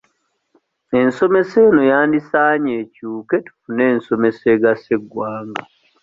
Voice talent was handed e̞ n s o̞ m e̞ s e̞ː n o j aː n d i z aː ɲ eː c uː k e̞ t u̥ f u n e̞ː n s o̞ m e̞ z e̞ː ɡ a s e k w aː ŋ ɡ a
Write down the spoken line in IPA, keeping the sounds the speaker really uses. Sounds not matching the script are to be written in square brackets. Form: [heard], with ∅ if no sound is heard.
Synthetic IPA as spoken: e̞ n s o̞ m e̞ s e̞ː n o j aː n d i [s] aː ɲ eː c uː k e̞ t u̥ f u n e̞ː n s o̞ m e̞ [s] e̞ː ɡ a s e [ɡ] w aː ŋ ɡ a